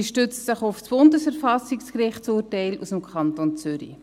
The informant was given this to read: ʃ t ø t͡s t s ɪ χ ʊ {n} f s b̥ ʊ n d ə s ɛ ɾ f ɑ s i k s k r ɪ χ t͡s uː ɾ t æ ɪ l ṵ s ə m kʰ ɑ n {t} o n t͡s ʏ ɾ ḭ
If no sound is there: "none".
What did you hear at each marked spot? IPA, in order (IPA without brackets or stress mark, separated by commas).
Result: none, t